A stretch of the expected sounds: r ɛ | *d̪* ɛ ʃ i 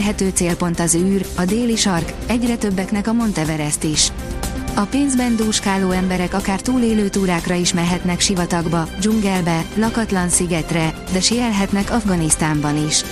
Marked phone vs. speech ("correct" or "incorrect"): correct